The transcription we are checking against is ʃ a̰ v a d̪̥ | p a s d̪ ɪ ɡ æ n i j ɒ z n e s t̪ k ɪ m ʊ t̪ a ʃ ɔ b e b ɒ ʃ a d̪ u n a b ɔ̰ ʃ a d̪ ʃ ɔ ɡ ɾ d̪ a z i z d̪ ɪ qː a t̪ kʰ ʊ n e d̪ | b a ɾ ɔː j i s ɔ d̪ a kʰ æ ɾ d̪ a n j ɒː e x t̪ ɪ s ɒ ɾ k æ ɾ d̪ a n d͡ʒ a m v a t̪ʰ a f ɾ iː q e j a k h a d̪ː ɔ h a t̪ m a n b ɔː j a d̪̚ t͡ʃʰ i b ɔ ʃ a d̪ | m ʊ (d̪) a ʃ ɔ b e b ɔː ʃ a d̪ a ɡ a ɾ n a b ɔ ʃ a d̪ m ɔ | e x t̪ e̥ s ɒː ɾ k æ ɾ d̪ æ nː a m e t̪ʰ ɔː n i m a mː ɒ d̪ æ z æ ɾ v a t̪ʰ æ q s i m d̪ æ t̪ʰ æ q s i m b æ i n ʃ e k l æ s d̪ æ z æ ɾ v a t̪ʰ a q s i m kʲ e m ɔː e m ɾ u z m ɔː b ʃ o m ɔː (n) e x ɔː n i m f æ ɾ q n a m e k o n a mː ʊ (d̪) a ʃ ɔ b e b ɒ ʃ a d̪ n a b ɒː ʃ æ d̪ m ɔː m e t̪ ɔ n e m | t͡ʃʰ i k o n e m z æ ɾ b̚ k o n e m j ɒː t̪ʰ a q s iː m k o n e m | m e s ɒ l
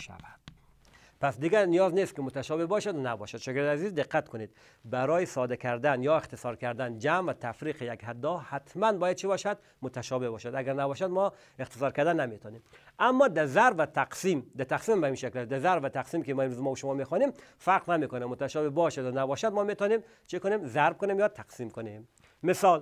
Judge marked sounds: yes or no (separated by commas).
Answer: no, no, no